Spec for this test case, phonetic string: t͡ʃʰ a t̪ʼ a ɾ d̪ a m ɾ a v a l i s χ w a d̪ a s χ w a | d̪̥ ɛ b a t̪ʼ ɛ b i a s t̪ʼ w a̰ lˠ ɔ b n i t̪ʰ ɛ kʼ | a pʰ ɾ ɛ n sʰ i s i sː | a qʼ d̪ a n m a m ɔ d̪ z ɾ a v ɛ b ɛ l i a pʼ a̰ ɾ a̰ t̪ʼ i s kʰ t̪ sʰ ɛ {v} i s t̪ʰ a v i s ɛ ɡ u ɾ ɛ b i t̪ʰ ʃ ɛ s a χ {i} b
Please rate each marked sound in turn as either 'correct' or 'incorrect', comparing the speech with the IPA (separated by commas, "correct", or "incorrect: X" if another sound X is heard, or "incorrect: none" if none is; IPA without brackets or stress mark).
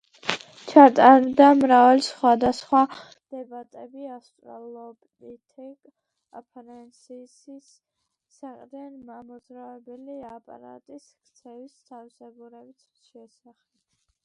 correct, incorrect: ɛ